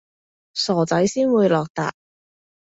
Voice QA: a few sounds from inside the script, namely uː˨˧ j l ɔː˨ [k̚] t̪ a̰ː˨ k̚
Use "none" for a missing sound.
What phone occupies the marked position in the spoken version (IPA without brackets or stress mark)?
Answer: k̚